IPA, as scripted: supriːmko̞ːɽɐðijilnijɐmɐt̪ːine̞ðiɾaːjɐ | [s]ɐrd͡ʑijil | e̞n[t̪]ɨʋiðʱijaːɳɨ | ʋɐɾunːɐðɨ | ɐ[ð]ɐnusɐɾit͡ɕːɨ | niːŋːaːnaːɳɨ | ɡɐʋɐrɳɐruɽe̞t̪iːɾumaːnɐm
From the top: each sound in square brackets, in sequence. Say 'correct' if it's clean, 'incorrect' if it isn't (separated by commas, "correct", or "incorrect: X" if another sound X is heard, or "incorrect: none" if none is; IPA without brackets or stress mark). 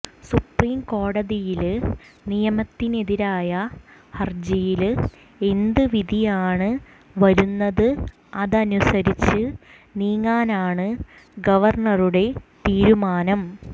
incorrect: h, incorrect: d̪, correct